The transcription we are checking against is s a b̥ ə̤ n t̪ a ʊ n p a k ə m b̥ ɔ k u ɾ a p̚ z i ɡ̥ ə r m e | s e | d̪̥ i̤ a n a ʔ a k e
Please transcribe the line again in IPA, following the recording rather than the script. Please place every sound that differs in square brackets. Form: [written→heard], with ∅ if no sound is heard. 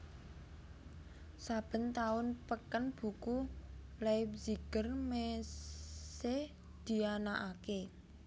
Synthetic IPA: s a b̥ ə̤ n t̪ a ʊ n p [a→ə] k ə [m→n] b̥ [ɔ→u] k u [ɾ→l] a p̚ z i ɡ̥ ə r m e | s e | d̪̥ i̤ a n a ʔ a k e